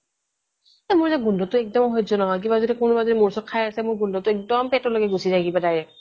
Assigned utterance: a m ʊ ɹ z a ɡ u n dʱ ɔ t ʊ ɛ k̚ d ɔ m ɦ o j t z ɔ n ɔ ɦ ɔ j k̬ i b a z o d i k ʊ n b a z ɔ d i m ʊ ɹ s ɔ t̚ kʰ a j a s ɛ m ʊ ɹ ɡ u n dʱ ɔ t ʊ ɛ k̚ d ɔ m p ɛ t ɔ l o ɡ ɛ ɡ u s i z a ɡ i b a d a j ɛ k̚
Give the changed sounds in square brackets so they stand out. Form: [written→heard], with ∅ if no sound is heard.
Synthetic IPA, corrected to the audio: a m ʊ ɹ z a ɡ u n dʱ ɔ t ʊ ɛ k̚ d ɔ m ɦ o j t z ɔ n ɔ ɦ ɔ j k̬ i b a z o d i k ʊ n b a z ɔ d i m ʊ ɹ s ɔ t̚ kʰ a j a s ɛ m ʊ ɹ ɡ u n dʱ ɔ t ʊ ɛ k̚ d ɔ m p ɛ t ɔ l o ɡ ɛ ɡ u s i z a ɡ i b a d a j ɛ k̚